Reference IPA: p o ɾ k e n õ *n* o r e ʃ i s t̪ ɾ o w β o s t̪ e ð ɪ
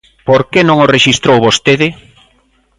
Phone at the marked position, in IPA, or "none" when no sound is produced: ŋ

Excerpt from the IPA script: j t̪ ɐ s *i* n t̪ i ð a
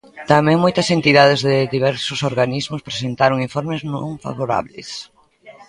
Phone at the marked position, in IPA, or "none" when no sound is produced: e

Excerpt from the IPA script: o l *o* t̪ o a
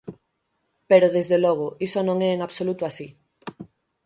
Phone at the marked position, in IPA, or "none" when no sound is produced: u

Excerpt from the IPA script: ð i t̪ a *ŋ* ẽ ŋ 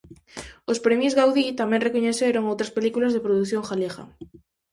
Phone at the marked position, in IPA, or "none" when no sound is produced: m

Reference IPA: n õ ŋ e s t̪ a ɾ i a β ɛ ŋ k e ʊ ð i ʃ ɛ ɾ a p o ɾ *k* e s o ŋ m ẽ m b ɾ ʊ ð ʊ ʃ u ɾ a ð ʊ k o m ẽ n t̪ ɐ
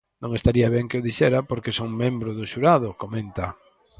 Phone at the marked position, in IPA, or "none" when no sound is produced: k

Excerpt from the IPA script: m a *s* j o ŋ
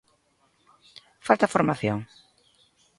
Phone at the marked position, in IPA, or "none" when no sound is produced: θ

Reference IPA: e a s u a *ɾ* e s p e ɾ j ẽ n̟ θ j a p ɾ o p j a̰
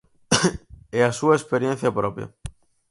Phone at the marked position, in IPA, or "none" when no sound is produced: none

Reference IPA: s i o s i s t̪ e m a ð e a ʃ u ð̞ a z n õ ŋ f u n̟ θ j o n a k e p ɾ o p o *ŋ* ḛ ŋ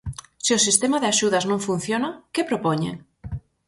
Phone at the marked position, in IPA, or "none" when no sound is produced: ɲ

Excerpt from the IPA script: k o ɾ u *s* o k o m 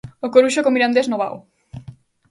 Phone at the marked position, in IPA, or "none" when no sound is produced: ʃ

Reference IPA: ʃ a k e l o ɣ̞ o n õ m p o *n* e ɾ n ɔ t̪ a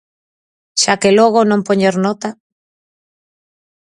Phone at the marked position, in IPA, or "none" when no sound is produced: ɲ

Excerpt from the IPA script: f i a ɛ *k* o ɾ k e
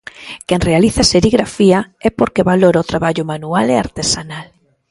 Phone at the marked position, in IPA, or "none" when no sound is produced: p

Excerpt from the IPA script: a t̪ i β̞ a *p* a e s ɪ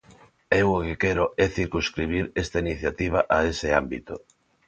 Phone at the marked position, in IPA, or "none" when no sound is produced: ʔ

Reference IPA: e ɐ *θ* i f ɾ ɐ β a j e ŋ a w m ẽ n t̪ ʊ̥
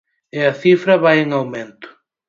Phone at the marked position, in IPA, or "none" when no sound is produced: θ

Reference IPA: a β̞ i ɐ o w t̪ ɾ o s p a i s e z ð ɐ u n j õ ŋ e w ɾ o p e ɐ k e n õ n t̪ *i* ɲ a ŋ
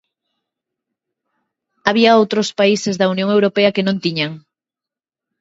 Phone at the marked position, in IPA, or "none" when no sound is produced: i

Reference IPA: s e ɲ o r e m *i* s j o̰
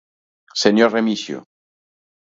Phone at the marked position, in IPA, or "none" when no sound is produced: i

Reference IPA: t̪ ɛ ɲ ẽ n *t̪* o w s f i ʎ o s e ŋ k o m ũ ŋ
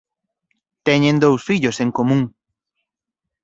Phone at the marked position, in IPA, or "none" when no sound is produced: d̪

